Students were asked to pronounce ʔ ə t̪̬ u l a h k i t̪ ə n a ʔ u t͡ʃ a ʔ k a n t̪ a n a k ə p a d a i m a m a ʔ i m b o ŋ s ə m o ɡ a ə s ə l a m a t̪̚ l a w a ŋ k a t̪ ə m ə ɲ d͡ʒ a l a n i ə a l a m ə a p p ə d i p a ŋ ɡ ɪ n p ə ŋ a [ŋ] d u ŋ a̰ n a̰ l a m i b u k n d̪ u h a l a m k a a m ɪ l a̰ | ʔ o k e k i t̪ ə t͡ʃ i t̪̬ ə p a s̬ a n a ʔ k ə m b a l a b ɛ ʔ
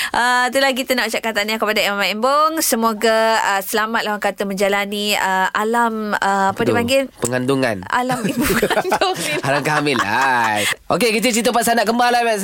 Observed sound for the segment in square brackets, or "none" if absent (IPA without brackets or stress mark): n